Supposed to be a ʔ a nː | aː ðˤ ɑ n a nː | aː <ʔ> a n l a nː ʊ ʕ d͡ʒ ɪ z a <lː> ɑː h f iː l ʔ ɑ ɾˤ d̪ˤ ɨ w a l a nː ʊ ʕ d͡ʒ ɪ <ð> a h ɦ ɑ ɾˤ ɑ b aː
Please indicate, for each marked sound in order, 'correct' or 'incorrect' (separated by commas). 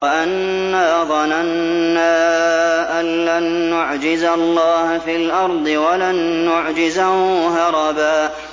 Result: correct, correct, incorrect